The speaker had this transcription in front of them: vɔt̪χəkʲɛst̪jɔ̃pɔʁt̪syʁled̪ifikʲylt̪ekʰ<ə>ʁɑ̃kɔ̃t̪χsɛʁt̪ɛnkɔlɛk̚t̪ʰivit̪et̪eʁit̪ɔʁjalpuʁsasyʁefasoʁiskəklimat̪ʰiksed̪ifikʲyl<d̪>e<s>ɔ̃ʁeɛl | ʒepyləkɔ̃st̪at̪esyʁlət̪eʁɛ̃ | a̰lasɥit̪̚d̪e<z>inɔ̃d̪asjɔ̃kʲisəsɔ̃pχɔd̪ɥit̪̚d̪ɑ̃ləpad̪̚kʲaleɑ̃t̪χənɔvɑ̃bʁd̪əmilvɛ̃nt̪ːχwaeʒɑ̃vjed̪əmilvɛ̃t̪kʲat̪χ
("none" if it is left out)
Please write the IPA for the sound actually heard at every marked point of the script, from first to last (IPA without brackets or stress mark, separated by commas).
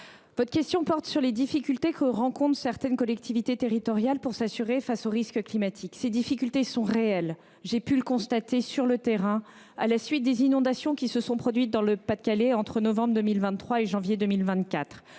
ə, t̪, s, z